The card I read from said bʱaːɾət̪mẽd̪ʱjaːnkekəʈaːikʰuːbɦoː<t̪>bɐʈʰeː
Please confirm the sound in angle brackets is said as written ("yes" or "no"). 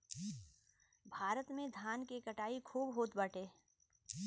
yes